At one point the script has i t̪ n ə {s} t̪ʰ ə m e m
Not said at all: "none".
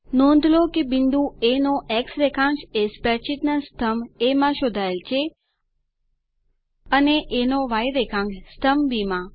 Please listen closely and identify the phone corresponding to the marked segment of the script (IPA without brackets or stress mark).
s